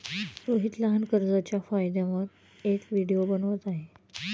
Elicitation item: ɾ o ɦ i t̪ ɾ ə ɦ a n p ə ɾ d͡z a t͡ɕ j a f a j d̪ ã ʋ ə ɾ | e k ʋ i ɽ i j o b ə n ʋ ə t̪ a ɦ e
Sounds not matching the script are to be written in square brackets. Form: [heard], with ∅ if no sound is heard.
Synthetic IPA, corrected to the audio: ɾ o ɦ i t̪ [l] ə ɦ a n [k] ə ɾ d͡z a t͡ɕ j a f a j d̪ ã ʋ ə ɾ | e k ʋ i ɽ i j o b ə n ʋ ə t̪ a ɦ e